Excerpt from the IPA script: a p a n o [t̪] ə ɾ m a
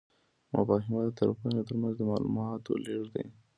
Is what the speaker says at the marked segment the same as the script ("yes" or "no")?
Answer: yes